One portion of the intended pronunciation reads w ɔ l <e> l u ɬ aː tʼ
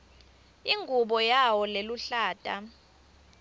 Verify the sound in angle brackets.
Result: correct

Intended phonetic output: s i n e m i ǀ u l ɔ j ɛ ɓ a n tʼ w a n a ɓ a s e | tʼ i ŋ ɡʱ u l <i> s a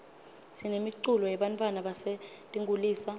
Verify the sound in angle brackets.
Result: incorrect: iː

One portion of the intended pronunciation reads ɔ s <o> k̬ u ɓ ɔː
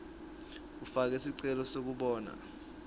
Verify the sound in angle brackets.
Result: correct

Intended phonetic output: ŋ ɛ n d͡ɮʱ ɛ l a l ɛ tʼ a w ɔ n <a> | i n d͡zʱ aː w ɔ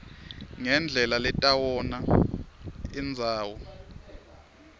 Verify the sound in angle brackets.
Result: correct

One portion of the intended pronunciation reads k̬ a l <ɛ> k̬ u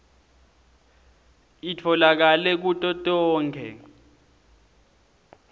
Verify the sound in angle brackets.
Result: correct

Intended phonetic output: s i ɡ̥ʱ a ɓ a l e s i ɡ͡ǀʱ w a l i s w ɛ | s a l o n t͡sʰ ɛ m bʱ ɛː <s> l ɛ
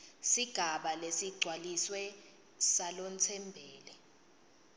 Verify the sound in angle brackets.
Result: incorrect: none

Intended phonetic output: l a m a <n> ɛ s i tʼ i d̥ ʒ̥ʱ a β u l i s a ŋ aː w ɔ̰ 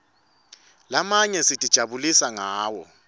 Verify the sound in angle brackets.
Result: incorrect: ɲ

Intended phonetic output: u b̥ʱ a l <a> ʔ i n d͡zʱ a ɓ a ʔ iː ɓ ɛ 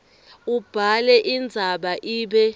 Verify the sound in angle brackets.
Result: incorrect: ɛ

